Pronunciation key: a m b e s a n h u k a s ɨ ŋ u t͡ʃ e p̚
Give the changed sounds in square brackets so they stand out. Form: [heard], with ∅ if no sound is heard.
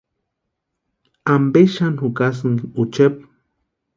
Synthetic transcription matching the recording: a m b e [ʃ] a n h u k a s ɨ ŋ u t͡ʃ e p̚